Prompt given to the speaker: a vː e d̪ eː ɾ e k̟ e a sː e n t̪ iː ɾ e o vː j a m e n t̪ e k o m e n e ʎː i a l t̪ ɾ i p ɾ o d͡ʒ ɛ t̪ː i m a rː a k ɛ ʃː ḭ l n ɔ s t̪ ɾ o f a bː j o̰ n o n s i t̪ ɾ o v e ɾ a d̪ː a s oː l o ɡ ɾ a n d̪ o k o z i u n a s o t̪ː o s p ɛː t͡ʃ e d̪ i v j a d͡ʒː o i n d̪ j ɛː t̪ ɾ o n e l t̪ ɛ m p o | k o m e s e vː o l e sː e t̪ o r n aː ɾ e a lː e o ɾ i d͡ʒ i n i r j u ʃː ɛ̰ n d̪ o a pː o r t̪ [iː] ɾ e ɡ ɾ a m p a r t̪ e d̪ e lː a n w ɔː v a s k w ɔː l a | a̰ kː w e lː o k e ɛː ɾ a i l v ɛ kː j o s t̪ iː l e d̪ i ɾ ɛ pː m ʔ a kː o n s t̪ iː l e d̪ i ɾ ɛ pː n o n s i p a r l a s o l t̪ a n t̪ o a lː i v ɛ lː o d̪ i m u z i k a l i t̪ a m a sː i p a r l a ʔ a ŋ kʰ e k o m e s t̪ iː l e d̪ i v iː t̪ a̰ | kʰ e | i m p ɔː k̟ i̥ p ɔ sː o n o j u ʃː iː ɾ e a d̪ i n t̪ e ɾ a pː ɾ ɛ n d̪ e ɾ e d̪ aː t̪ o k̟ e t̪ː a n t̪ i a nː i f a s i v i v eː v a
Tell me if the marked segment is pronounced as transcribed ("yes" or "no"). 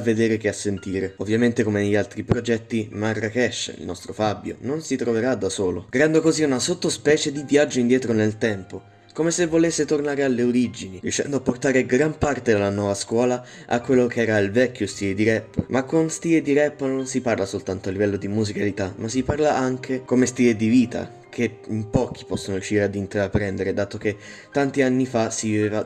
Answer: no